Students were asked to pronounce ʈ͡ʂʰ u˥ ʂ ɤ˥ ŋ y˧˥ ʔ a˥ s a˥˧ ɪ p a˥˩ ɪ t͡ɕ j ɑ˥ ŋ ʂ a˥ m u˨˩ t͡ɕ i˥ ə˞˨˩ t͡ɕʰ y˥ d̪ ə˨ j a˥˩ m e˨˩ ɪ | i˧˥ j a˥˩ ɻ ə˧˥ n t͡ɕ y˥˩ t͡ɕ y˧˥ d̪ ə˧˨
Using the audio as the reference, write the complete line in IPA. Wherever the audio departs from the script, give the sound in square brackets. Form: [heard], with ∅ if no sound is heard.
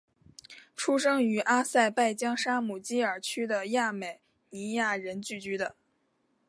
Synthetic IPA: ʈ͡ʂʰ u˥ ʂ ɤ˥ ŋ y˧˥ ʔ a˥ s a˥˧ ɪ p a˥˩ ɪ t͡ɕ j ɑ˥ ŋ ʂ a˥ m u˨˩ t͡ɕ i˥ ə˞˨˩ t͡ɕʰ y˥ d̪ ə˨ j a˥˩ m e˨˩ ɪ | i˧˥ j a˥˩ ɻ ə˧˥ n t͡ɕ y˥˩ t͡ɕ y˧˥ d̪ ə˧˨